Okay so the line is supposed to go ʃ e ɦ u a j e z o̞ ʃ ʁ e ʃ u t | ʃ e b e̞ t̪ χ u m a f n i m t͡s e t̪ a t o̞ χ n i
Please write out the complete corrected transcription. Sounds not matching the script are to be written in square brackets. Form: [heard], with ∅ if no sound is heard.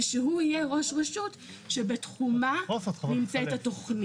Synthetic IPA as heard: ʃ e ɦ u [i] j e [ʁ] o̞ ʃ ʁ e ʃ u t | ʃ e b e̞ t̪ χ u m a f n i m t͡s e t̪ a t o̞ χ n i